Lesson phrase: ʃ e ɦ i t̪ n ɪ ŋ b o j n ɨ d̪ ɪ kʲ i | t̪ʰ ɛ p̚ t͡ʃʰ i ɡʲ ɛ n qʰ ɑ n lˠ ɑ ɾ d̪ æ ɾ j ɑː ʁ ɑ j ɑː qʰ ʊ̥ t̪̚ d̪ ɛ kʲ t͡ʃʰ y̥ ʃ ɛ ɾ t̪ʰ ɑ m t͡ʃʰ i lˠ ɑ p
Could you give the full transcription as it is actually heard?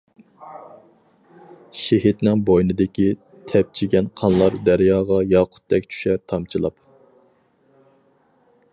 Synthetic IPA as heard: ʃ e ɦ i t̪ n ɪ ŋ b o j n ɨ d̪ ɪ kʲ i | t̪ʰ ɛ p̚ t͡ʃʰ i ɡʲ ɛ n qʰ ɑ n lˠ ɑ ɾ d̪ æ ɾ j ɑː ʁ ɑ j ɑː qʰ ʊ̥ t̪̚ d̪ ɛ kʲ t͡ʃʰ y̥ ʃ ɛ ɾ t̪ʰ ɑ m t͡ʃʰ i lˠ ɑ p